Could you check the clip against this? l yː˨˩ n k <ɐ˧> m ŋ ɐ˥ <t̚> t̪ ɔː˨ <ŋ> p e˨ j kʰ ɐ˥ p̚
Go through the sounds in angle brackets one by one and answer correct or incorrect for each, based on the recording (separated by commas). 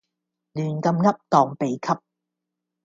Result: correct, incorrect, correct